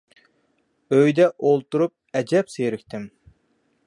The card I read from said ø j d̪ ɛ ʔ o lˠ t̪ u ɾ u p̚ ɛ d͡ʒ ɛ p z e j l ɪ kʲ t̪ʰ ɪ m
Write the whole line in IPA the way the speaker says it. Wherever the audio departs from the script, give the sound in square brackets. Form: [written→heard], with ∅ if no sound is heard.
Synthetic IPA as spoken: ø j d̪ ɛ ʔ o lˠ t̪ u ɾ u p̚ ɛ d͡ʒ ɛ p [z→s] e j [l→ɾ] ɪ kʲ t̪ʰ ɪ m